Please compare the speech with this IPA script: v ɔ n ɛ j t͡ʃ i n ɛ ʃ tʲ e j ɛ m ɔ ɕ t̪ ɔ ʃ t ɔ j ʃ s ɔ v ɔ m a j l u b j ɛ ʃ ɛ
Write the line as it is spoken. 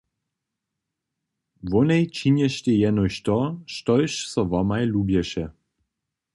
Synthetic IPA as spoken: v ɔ n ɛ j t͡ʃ i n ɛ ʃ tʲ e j ɛ n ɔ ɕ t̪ ɔ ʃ t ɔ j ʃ s ɔ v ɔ m a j l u b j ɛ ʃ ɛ

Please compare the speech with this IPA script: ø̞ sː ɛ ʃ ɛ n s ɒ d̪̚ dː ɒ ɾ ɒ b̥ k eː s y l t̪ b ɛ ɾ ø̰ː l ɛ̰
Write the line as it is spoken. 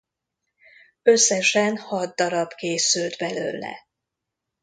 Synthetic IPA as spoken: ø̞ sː ɛ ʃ ɛ n h ɒ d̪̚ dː ɒ ɾ ɒ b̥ k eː s y l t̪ b ɛ l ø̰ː l ɛ̰

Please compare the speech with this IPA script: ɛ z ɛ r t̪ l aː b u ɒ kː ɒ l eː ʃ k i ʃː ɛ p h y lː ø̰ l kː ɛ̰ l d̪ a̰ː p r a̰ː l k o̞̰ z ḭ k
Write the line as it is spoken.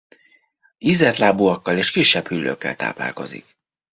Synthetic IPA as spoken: i z ɛ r t̪ l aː b u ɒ kː ɒ l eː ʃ k i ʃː ɛ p h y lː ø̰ kː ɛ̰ l t̪ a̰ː p l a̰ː l k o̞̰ z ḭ k

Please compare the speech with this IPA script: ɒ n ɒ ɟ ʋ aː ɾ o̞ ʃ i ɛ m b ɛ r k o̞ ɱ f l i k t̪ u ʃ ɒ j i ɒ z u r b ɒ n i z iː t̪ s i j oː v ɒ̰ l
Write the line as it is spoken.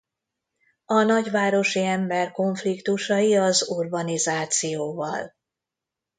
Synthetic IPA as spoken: ɒ n ɒ ɟ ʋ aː ɾ o̞ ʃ i ɛ m b ɛ r k o̞ ɱ f l i k t̪ u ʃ ɒ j i ɒ z u r b ɒ n i z aː t̪ s i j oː v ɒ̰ l

